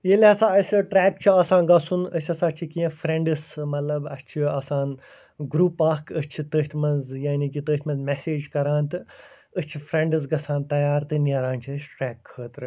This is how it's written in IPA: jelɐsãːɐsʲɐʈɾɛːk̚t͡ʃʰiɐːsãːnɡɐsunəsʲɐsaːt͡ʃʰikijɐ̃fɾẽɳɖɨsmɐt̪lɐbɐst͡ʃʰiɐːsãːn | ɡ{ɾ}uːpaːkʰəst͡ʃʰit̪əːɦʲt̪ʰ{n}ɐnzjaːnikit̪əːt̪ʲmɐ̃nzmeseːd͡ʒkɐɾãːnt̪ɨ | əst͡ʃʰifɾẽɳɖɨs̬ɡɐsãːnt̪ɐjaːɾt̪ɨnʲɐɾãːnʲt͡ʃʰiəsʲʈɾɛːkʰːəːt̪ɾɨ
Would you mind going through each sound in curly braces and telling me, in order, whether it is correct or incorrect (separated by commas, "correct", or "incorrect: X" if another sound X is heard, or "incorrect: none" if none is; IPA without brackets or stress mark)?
correct, incorrect: m